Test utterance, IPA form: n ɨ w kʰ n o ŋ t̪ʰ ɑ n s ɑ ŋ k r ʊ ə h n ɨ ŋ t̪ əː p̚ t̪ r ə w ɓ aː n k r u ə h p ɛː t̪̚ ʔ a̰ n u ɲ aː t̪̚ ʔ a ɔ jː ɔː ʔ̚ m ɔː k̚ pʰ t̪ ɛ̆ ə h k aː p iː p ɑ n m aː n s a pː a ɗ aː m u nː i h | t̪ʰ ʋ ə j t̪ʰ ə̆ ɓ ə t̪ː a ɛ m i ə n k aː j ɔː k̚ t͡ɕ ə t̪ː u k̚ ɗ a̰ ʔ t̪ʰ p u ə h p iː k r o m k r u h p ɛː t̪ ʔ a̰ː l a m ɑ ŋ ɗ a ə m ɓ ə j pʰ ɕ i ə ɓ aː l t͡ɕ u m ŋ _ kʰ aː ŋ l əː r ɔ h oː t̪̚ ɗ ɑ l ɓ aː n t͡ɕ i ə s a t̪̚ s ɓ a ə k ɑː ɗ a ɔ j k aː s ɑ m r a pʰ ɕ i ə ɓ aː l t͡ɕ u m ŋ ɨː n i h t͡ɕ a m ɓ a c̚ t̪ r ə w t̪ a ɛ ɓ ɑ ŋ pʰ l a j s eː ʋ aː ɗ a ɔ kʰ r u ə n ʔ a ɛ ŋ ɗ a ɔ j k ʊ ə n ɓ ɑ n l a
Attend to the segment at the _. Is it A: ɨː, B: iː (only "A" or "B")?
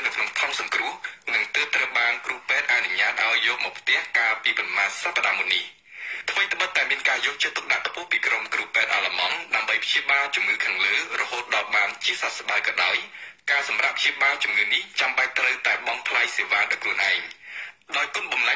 A